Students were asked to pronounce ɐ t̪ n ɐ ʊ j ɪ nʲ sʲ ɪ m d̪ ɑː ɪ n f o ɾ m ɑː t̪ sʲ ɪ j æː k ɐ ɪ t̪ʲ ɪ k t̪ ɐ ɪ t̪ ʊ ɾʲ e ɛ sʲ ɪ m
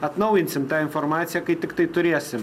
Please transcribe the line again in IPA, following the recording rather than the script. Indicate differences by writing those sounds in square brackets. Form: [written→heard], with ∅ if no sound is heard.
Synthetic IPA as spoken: ɐ t̪ n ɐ ʊ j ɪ nʲ sʲ ɪ m [d̪→t̪] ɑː ɪ n f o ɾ m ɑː t̪ sʲ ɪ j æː k ɐ ɪ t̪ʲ ɪ k t̪ ɐ ɪ t̪ ʊ ɾʲ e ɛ sʲ ɪ m